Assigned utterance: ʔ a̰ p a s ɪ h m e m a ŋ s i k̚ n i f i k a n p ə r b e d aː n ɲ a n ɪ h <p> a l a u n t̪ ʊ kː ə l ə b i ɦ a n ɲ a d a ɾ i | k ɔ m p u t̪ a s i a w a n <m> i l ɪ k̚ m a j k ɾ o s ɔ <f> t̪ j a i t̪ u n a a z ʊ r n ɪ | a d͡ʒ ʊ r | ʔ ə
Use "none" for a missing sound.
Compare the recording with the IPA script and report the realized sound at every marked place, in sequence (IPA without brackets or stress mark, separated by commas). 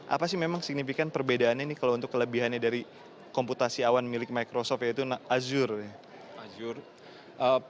k, m, f